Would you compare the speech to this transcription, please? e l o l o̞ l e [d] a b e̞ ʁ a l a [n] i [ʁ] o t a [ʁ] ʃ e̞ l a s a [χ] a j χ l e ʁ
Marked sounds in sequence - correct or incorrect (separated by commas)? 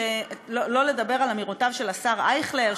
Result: correct, incorrect, correct, incorrect, incorrect